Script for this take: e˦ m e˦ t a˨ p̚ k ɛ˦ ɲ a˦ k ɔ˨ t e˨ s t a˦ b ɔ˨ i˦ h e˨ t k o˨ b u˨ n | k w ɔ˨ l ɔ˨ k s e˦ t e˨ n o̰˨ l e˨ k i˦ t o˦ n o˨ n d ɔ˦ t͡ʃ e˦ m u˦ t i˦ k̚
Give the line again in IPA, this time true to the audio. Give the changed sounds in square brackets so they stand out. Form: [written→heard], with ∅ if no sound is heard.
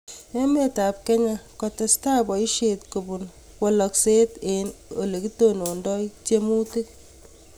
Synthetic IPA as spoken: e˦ m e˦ t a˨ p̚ k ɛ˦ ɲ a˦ k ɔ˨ t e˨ s t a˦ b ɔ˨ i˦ [h→ʃ] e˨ t k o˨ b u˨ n | k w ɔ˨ l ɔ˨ k s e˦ t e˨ n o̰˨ l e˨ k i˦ t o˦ n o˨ n d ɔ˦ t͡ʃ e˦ m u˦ t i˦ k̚